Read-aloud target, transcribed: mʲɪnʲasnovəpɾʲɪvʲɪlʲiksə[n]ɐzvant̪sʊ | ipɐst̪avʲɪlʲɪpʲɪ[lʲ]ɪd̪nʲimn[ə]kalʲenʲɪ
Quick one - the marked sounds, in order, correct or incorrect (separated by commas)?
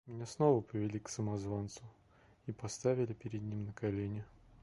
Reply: incorrect, incorrect, correct